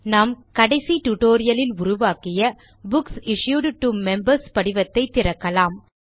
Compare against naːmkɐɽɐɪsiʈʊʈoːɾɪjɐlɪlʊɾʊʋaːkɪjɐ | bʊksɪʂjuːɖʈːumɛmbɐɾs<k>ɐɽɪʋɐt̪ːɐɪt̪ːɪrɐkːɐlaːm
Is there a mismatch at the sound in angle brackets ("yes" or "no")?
yes